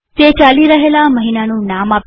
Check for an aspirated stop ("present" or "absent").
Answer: absent